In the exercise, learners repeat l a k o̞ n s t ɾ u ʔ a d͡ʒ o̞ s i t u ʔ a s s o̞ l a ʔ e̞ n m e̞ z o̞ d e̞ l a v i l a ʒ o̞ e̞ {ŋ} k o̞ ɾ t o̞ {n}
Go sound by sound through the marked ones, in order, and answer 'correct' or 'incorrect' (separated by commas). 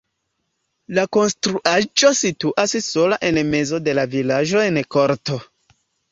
incorrect, incorrect